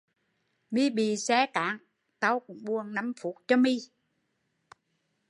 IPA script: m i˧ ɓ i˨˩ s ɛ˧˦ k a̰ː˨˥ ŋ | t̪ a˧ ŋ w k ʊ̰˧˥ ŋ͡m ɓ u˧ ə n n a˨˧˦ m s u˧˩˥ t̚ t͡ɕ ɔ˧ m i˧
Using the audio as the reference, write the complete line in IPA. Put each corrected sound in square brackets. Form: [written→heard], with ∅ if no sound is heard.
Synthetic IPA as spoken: m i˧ ɓ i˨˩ s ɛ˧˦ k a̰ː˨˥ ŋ | t̪ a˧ [ŋ→∅] w k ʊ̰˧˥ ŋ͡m ɓ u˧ ə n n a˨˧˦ m [s→f] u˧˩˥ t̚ t͡ɕ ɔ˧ m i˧